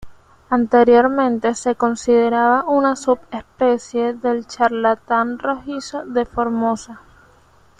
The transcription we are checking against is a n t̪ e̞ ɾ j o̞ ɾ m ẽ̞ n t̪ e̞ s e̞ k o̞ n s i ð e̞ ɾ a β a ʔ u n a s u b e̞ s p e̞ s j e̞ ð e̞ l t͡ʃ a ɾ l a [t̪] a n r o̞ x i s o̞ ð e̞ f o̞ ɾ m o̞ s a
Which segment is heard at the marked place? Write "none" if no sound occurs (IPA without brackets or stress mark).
t̪